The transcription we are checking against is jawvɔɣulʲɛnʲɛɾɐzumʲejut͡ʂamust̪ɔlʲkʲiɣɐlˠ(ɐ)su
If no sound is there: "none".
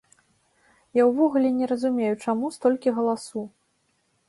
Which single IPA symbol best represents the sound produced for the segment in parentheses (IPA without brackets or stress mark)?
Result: a